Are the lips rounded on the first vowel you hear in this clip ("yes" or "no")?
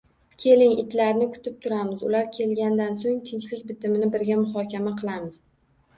no